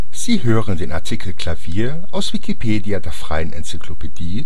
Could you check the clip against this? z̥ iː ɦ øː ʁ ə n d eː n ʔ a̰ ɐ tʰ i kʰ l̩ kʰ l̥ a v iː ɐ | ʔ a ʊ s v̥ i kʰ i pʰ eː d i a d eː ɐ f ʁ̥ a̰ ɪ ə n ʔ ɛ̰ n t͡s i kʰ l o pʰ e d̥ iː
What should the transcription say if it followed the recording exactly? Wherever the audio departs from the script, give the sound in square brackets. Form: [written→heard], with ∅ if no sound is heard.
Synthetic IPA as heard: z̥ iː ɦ øː ʁ ə n d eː n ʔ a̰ ɐ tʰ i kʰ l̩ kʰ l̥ a v iː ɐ | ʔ a ʊ s v̥ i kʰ i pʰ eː d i a d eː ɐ f ʁ̥ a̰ ɪ ə n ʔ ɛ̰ n t͡s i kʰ l o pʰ e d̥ iː

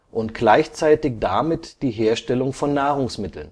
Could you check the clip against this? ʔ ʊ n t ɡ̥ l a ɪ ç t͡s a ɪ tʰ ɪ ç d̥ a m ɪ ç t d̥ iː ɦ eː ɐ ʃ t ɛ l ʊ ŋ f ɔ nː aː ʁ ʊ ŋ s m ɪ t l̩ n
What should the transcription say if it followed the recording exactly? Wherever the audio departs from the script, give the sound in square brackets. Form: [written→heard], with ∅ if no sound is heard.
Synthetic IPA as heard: ʔ ʊ n t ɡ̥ l a ɪ ç t͡s a ɪ [tʰ→t] ɪ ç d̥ a m ɪ [ç→∅] t d̥ iː ɦ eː ɐ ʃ t ɛ l ʊ ŋ f ɔ nː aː ʁ ʊ ŋ s m ɪ t l̩ n

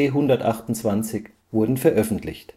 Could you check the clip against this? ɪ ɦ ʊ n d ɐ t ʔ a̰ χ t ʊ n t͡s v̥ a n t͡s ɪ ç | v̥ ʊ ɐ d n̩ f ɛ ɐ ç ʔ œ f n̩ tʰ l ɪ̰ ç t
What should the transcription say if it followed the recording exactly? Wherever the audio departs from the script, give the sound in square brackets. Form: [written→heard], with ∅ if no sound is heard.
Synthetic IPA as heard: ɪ ɦ ʊ n d ɐ t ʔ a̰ χ t ʊ n t͡s v̥ a n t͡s ɪ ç | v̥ ʊ ɐ d n̩ f ɛ ɐ [ç→∅] ʔ œ f n̩ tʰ l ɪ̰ ç t

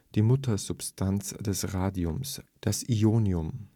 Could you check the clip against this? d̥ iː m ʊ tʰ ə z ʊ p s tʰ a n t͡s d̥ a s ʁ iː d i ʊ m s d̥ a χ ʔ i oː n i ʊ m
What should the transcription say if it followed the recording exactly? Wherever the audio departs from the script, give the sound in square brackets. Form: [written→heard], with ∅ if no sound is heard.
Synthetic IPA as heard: d̥ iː m ʊ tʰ [ə→ɐ] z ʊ p s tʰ a n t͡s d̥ [a→ɛ] s ʁ [iː→aː] d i ʊ m s d̥ a [χ→s] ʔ i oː n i ʊ m

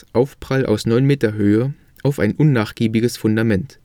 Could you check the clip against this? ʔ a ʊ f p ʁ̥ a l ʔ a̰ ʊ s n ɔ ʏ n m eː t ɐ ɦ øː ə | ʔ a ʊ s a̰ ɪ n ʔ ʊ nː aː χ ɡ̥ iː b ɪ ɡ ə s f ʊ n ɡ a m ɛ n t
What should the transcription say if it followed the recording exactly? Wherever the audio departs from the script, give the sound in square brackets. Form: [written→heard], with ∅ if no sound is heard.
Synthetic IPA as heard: ʔ a ʊ f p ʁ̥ a l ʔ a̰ ʊ s n ɔ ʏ n m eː t ɐ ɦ øː ə | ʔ a ʊ [s→f] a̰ ɪ n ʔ ʊ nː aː χ ɡ̥ iː b ɪ ɡ ə s f ʊ n [ɡ→d] a m ɛ n t

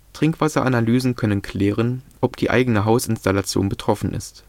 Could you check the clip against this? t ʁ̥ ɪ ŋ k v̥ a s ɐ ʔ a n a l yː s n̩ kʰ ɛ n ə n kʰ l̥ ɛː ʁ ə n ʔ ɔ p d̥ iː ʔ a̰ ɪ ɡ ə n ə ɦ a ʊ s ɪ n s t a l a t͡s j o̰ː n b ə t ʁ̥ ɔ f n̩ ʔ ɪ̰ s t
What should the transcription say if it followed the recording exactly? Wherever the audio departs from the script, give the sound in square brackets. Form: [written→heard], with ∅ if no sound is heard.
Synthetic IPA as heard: t ʁ̥ ɪ ŋ k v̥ a s ɐ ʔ a n a l yː [s→z] n̩ kʰ [ɛ→œ] n ə n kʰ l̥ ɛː ʁ ə n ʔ ɔ p d̥ iː ʔ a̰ ɪ ɡ ə n ə ɦ a ʊ s ɪ n s t a l a t͡s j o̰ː n b ə t ʁ̥ ɔ f n̩ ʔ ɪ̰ s t

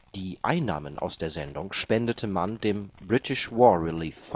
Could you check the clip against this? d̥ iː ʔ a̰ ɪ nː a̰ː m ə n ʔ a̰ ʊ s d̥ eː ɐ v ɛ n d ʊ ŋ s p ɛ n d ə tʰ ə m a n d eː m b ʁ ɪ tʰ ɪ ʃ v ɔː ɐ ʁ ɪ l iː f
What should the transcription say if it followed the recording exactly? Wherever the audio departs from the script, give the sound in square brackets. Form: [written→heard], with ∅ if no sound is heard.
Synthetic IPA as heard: d̥ iː ʔ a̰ ɪ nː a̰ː m ə n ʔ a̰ ʊ s d̥ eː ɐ [v→z] ɛ n d ʊ ŋ [s→ʃ] p ɛ n d ə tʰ ə m a n d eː m b ʁ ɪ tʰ ɪ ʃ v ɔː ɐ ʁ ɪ l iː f

